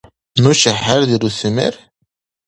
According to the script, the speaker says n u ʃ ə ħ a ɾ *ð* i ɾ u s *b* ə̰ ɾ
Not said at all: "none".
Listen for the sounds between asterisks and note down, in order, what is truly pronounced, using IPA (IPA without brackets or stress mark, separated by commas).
ð, m